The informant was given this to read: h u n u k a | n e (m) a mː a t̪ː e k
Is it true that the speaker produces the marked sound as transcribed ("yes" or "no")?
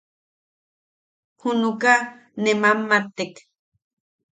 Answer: yes